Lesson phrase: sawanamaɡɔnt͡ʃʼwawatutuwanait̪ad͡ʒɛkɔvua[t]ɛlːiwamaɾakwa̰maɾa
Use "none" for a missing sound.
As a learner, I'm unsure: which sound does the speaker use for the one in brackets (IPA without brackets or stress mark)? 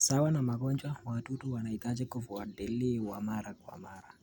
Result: d